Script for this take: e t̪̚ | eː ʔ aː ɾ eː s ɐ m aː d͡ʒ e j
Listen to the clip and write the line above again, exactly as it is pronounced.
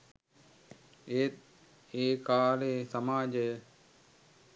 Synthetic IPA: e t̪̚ | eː k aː l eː s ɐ m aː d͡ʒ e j